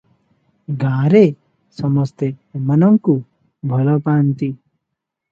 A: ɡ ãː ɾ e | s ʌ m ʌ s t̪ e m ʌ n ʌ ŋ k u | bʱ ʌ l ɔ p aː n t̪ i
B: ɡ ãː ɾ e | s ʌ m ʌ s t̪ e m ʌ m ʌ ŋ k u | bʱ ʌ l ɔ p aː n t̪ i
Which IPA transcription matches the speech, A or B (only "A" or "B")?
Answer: A